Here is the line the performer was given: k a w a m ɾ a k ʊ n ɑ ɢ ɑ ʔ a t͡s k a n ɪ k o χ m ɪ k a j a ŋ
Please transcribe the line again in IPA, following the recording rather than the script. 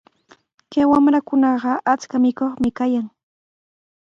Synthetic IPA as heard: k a w a m ɾ a k ʊ n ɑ ɢ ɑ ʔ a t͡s k a m ɪ k o χ m ɪ k a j a ŋ